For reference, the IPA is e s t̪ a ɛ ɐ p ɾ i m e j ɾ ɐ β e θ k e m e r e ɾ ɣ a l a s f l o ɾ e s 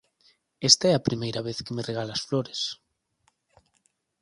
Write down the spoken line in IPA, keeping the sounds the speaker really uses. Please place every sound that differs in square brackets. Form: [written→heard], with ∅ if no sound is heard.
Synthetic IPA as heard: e s t̪ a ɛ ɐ p ɾ i m e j ɾ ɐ β e θ k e m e r e [ɾ→∅] ɣ a l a s f l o ɾ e s